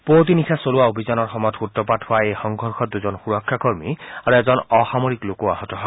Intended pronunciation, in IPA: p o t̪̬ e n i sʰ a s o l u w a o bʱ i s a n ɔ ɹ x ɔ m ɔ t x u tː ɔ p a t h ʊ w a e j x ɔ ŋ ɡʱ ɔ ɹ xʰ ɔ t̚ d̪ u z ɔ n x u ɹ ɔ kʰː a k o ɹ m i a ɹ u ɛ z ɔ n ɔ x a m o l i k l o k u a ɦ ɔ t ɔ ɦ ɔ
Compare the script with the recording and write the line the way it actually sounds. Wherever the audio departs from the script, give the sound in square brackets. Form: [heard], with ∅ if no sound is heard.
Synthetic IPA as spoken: p o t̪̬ [i] n i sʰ a s o l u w a o bʱ i [z] a n ɔ ɹ x ɔ m ɔ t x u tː ɔ p a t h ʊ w a e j x ɔ ŋ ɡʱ ɔ ɹ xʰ ɔ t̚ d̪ u z ɔ n x u ɹ ɔ kʰː a k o ɹ m i a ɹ u ɛ z ɔ n ɔ x a m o [ɹ] i k l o k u a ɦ ɔ t ɔ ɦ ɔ

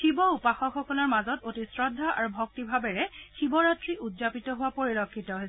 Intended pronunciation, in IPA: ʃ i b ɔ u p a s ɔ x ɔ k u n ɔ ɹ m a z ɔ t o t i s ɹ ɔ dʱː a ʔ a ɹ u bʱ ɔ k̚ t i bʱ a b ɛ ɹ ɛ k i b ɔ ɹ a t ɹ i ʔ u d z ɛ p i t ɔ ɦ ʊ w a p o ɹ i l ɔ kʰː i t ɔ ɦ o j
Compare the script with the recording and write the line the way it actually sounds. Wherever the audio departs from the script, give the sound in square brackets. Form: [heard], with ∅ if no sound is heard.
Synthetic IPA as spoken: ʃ i b ɔ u p a [x] ɔ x ɔ k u n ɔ ɹ m a z ɔ t o t i s ɹ ɔ dʱː a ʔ a ɹ u bʱ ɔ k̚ t i bʱ a b ɛ ɹ ɛ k i b ɔ ɹ a t ɹ i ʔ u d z [a] p i t ɔ ɦ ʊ w a p o ɹ i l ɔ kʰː i t ɔ ɦ o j

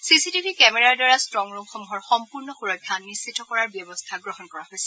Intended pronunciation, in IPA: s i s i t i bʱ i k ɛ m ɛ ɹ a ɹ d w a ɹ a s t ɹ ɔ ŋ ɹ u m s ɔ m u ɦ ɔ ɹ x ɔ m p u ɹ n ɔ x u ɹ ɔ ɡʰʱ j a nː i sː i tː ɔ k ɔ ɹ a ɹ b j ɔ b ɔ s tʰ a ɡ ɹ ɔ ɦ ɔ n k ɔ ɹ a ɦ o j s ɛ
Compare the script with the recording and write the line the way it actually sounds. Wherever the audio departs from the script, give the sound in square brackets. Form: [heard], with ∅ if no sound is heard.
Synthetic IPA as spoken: s i s i t i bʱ i k ɛ m ɛ ɹ a ɹ d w a ɹ a s t ɹ ɔ ŋ ɹ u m [x] ɔ m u ɦ ɔ ɹ x ɔ m p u ɹ n ɔ x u ɹ ɔ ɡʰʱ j a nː i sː i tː ɔ k ɔ ɹ a ɹ b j ɔ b ɔ s tʰ a ɡ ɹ ɔ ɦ ɔ n k ɔ ɹ a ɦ o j s ɛ

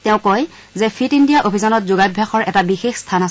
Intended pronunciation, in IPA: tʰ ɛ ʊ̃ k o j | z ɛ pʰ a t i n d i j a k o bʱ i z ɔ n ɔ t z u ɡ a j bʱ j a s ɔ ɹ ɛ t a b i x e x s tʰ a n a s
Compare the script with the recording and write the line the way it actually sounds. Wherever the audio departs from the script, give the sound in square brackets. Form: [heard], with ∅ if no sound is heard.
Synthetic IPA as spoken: [t] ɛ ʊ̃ k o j | z ɛ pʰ [i] t i n d i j a [ʔ] o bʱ i z ɔ n ɔ t z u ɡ a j bʱ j a [x] ɔ ɹ ɛ t a b i x e x s tʰ a n a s

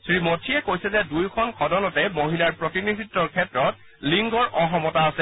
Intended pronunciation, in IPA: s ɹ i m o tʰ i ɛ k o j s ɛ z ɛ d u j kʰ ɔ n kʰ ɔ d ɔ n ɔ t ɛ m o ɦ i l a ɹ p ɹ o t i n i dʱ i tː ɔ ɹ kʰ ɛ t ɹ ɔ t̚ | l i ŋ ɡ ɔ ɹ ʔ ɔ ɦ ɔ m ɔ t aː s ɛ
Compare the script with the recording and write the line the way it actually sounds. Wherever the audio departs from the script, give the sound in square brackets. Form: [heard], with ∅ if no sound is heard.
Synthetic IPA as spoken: s ɹ i m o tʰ i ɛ k o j s ɛ z ɛ d u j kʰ ɔ n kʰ ɔ d ɔ n ɔ t ɛ m o ɦ i l a ɹ p ɹ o t i n i dʱ i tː ɔ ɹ kʰ ɛ t ɹ ɔ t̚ | l i ŋ ɡ ɔ ɹ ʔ ɔ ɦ ɔ m ɔ t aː s ɛ

